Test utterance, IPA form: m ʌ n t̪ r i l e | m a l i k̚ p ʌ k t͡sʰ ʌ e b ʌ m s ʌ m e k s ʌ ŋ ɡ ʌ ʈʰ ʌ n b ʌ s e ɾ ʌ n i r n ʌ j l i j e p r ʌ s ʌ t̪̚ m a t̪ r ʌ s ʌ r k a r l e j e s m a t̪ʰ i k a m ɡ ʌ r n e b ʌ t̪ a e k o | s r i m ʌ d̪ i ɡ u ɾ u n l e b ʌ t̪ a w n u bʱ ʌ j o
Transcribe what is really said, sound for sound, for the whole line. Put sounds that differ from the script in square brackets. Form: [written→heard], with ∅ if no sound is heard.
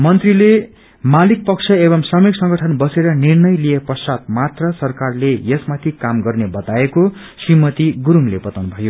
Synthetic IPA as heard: m ʌ n t̪ r i l e | m a l i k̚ p ʌ k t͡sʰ ʌ e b ʌ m s ʌ m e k s ʌ ŋ ɡ ʌ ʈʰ ʌ n b ʌ s e ɾ ʌ n i r n ʌ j l i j e p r ʌ s [ʌ→a] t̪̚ m a t̪ r ʌ s ʌ r k a r l e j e s m a t̪ʰ i k a m ɡ ʌ r n e b ʌ t̪ a e k o | s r i m ʌ [d̪→t̪] i ɡ u ɾ u [n→ŋ] l e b ʌ t̪ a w n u bʱ ʌ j o